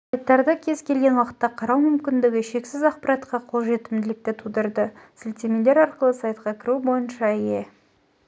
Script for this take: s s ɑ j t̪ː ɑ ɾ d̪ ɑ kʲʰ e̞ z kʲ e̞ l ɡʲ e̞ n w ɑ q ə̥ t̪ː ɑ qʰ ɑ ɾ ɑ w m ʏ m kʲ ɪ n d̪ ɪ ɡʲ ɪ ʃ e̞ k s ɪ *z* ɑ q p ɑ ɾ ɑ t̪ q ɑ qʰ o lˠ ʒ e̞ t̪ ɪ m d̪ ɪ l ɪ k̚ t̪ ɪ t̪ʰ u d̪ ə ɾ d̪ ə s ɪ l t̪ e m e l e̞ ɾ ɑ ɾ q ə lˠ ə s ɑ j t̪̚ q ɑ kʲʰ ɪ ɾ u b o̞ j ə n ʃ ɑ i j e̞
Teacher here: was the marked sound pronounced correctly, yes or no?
yes